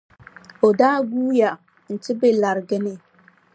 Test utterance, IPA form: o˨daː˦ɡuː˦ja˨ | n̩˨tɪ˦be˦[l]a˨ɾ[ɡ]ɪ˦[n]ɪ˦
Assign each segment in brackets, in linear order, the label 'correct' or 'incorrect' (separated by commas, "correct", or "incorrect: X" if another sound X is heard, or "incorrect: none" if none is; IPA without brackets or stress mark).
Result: correct, correct, correct